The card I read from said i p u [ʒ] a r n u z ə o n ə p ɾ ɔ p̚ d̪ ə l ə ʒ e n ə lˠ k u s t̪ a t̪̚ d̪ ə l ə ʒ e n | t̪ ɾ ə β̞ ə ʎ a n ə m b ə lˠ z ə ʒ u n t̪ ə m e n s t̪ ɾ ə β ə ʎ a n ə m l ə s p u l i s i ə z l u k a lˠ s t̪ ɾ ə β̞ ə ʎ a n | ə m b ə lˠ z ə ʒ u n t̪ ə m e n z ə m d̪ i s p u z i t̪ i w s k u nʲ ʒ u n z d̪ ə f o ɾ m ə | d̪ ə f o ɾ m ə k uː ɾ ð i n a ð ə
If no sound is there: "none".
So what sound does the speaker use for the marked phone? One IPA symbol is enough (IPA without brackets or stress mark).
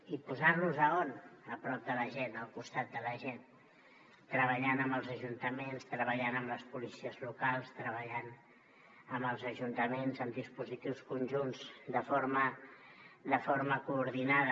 z